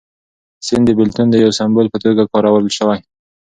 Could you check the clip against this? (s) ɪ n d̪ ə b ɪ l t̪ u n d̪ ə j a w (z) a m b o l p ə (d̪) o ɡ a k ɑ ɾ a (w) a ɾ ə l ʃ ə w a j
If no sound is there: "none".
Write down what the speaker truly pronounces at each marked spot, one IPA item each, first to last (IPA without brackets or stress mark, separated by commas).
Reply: s, s, t̪, w